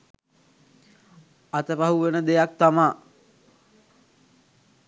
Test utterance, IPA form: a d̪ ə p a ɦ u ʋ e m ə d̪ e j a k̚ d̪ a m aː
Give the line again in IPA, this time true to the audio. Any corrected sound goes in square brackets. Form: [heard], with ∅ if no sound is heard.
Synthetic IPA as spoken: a [t̪] ə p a ɦ u ʋ e [n] ə d̪ e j a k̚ [t̪] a m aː